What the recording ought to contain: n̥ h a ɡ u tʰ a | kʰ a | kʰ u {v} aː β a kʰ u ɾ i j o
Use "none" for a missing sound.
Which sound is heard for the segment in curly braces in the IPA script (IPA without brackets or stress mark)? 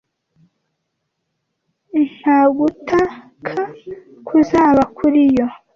z